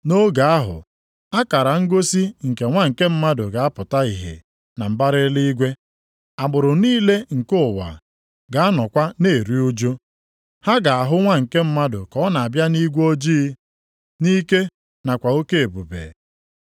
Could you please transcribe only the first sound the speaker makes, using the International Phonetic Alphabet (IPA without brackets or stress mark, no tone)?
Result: n